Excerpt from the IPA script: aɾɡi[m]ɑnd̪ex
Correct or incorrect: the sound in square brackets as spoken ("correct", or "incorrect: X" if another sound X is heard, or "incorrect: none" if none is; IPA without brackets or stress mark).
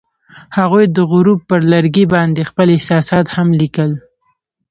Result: incorrect: b